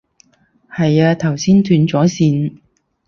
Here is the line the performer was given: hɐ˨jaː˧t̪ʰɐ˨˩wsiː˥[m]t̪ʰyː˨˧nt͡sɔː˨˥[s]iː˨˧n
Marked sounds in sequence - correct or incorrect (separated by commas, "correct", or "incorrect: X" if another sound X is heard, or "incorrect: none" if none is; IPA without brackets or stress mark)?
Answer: incorrect: n, correct